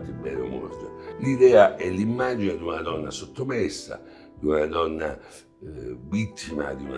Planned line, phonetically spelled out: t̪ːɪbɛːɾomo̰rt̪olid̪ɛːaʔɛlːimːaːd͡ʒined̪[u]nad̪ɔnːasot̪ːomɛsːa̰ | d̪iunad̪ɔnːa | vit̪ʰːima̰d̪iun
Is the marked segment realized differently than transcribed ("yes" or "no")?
no